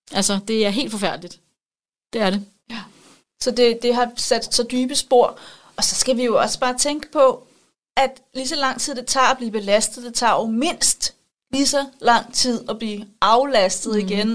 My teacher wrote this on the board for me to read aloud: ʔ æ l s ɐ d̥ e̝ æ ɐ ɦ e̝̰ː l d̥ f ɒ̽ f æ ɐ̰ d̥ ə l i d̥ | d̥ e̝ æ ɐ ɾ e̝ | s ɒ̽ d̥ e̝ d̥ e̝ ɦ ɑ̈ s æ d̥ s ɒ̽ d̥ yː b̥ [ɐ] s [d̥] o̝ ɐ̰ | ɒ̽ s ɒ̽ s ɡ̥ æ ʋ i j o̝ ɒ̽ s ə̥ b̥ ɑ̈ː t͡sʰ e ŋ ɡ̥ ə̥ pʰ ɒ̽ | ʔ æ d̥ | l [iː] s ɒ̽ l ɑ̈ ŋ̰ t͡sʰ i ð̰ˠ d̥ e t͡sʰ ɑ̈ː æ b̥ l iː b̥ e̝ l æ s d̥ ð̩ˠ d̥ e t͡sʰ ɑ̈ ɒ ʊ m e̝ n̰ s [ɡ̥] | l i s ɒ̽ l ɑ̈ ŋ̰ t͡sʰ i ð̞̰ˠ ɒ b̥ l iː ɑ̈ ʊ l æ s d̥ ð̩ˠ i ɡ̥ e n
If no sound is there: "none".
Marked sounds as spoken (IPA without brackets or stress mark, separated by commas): ə, b̥, i, d̥